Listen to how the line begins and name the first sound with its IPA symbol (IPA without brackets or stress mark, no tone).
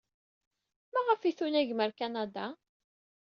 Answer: m